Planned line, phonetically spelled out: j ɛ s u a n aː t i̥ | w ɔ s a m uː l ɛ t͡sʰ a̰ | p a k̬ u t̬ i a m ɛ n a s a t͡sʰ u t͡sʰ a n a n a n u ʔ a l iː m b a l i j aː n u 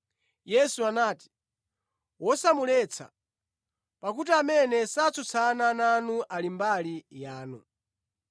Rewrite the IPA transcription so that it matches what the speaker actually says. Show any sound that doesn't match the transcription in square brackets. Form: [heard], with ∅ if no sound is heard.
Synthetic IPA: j ɛ s u a n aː t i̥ | w ɔ s a m [u] l ɛ t͡sʰ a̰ | p a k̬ u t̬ i a m ɛ n [ɛ] s a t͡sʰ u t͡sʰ a n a n a n u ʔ a l [i] m b a l i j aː n u